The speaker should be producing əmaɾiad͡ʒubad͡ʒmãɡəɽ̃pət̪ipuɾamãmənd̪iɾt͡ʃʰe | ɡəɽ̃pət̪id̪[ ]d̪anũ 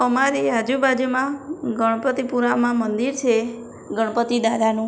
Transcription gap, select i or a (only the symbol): a